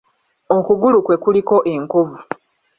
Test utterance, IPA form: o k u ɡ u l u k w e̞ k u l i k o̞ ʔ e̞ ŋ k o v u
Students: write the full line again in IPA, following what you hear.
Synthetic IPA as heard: o k u ɡ u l u k w e̞ k u l i k o̞ ʔ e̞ ŋ k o v u